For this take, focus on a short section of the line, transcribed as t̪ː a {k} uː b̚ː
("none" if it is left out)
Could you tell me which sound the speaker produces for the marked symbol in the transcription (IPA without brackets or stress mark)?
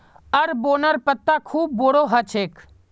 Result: kʰ